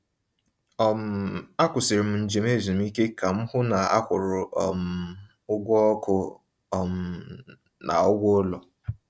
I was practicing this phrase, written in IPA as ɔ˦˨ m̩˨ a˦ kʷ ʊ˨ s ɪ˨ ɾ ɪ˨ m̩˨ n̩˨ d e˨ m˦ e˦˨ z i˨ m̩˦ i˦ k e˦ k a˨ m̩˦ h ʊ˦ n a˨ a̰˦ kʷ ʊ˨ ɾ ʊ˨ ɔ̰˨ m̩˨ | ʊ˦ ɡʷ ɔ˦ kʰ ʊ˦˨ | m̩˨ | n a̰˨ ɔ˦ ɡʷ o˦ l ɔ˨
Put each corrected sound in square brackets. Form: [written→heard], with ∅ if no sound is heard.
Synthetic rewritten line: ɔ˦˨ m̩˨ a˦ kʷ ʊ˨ s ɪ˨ ɾ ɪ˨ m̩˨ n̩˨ [d→d͡ʒ] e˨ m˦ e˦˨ z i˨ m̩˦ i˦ k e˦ k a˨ m̩˦ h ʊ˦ n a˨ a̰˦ kʷ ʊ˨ ɾ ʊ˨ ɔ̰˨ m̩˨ | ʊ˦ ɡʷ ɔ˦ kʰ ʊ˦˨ | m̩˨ | n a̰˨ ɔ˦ ɡʷ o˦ l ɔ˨